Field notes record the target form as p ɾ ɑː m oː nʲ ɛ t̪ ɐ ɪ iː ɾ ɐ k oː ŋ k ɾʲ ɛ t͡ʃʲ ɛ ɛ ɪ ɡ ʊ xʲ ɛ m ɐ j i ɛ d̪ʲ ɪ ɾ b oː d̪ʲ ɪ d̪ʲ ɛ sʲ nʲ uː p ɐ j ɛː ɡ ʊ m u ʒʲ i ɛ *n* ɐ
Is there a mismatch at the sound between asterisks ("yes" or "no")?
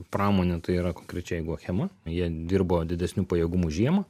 yes